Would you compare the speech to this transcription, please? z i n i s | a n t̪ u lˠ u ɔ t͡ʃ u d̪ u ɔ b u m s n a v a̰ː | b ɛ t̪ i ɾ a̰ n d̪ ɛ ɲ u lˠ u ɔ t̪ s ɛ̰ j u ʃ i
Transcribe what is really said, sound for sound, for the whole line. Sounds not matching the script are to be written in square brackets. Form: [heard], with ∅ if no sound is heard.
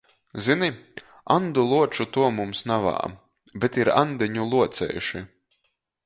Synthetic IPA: z i n i [∅] | a n [d̪] u lˠ u ɔ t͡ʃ u [t̪] u ɔ [m] u m s n a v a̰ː | b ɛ t̪ i ɾ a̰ n d̪ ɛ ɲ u lˠ u ɔ t̪ s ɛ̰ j u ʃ i